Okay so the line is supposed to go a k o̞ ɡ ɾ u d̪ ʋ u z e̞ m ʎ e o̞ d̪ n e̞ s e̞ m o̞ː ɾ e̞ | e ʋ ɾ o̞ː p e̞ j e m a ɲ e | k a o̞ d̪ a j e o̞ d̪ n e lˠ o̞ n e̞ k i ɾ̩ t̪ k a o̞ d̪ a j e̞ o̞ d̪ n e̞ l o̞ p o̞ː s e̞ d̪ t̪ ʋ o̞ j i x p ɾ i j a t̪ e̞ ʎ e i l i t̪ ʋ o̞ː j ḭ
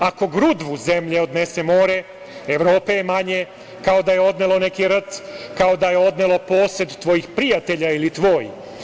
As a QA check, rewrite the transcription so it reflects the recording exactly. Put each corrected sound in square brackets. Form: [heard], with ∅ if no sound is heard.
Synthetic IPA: a k o̞ ɡ ɾ u d̪ ʋ u z e̞ m ʎ e o̞ d̪ n e̞ s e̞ m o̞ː ɾ e̞ | e ʋ ɾ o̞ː p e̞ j e m a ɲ e | k a o̞ d̪ a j e o̞ d̪ n e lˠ o̞ n e̞ k i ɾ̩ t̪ k a o̞ d̪ a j e̞ o̞ d̪ n e̞ l o̞ p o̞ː s e̞ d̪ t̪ ʋ o̞ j i x p ɾ i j a t̪ e̞ ʎ [a] i l i t̪ ʋ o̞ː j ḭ

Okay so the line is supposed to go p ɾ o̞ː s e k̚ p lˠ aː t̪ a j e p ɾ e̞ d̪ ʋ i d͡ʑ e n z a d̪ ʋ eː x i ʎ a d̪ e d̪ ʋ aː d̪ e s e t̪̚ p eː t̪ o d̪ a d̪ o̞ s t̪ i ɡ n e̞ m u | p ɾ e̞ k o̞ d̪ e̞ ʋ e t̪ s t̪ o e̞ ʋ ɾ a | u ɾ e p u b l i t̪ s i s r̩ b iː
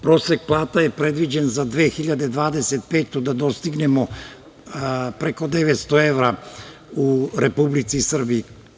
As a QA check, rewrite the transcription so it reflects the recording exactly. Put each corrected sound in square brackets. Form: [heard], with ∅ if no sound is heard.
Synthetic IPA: p ɾ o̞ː s e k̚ p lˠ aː t̪ a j e p ɾ e̞ d̪ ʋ i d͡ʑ e n z a d̪ ʋ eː x i ʎ a d̪ e d̪ ʋ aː d̪ e s e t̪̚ p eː t̪ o d̪ a d̪ o̞ s t̪ i ɡ n e̞ m [o] | p ɾ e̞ k o̞ d̪ e̞ ʋ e t̪ s t̪ o e̞ ʋ ɾ a | u ɾ e p u b l i t̪ s i s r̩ b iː

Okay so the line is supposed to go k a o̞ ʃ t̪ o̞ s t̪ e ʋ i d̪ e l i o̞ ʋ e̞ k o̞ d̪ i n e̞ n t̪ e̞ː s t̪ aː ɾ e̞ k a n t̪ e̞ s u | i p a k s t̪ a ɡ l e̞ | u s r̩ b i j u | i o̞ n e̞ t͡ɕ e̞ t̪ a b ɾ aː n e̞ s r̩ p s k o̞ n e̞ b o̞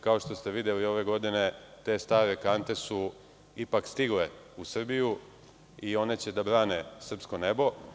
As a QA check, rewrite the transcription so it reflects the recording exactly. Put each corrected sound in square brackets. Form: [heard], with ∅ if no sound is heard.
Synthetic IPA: k a o̞ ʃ t̪ o̞ s t̪ e ʋ i d̪ e l i o̞ ʋ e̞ [ɡ] o̞ d̪ i n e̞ [∅] t̪ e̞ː s t̪ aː ɾ e̞ k a n t̪ e̞ s u | i p a k s t̪ [i] ɡ l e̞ | u s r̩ b i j u | i o̞ n e̞ t͡ɕ e̞ [d̪] a b ɾ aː n e̞ s r̩ p s k o̞ n e̞ b o̞

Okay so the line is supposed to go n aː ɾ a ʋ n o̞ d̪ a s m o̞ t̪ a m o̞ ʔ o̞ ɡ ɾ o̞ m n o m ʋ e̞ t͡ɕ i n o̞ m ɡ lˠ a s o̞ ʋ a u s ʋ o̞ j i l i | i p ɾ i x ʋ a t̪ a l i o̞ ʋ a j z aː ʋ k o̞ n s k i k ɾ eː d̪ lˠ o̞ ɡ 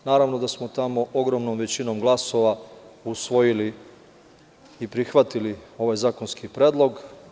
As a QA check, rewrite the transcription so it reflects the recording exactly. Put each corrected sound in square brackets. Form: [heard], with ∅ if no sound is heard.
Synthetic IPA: n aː ɾ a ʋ n o̞ d̪ a s m o̞ t̪ a m o̞ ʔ o̞ ɡ ɾ o̞ m n o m ʋ e̞ t͡ɕ i n o̞ m ɡ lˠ a s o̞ ʋ a u s ʋ o̞ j i l i | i p ɾ i x ʋ a t̪ [i] l i o̞ ʋ a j z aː [∅] k o̞ n s k i [p] ɾ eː d̪ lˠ o̞ ɡ

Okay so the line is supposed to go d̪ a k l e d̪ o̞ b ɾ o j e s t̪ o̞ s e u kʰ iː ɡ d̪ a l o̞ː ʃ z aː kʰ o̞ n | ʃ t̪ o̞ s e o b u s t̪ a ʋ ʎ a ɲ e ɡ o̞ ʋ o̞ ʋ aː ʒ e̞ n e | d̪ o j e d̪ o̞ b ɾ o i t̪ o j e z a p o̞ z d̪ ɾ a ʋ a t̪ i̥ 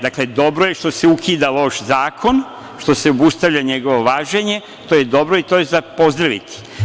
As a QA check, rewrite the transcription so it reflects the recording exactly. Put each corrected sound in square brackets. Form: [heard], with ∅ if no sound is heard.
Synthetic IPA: d̪ a k l e d̪ o̞ b ɾ o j e [ʃ] t̪ o̞ s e u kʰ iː [∅] d̪ a l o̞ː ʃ z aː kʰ o̞ n | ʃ t̪ o̞ s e o b u s t̪ a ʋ ʎ a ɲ e ɡ o̞ ʋ o̞ ʋ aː ʒ e̞ [ɲ] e | [t̪] o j e d̪ o̞ b ɾ o i t̪ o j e z a p o̞ z d̪ ɾ a ʋ [i] t̪ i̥

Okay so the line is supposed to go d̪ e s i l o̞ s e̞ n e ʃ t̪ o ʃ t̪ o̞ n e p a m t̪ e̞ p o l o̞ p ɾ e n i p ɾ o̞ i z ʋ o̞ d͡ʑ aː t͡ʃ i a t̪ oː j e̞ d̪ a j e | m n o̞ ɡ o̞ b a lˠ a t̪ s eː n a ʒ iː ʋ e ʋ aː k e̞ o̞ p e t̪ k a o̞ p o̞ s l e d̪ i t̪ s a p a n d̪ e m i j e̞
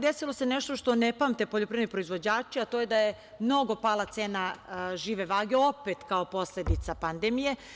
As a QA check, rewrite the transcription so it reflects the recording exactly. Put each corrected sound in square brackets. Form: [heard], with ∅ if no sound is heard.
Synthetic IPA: d̪ e s i l o̞ s e̞ n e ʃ t̪ o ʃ t̪ o̞ n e p a m t̪ e̞ p o [ʎ] o̞ p ɾ e n i p ɾ o̞ i z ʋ o̞ d͡ʑ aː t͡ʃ i a t̪ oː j e̞ d̪ a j e | m n o̞ ɡ o̞ [p] a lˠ a t̪ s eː n a ʒ iː ʋ e ʋ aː [ɡ] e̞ o̞ p e t̪ k a o̞ p o̞ s l e d̪ i t̪ s a p a n d̪ e m i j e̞

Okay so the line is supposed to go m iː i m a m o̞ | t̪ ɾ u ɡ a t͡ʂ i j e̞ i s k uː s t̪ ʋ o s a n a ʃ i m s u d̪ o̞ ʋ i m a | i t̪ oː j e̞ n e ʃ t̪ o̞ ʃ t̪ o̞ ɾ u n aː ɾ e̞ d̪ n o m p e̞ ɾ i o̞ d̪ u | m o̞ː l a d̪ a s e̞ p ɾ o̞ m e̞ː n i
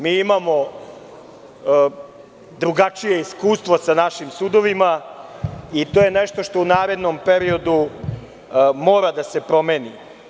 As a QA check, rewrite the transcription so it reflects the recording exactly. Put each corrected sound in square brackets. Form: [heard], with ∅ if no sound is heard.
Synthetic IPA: m iː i m a m o̞ | [d̪] ɾ u ɡ a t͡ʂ i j e̞ i s k uː s t̪ ʋ o s a n a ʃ i m s u d̪ o̞ ʋ i m a | i t̪ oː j e̞ n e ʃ t̪ o̞ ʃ t̪ o̞ [∅] u n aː ɾ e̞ d̪ n o m p e̞ ɾ i o̞ d̪ u | m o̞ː [ɾ] a d̪ a s e̞ p ɾ o̞ m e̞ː n i

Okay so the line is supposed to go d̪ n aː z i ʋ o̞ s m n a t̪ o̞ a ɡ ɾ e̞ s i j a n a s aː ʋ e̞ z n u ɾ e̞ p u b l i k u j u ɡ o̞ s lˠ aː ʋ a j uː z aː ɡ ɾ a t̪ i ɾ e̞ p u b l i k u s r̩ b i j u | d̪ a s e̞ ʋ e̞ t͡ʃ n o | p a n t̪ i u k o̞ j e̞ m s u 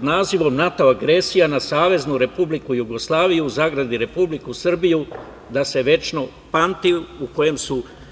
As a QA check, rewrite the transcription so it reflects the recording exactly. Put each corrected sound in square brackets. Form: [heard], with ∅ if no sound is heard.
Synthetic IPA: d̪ n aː z i ʋ o̞ [∅] m n a t̪ o̞ a ɡ ɾ e̞ s i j a n a s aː ʋ e̞ z n u ɾ e̞ p u b l i k u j u ɡ o̞ s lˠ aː ʋ [i] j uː z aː ɡ ɾ a [d̪] i ɾ e̞ p u b l i k u s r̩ b i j u | d̪ a s e̞ ʋ e̞ t͡ʃ n o | p a n t̪ i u k o̞ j e̞ m s u

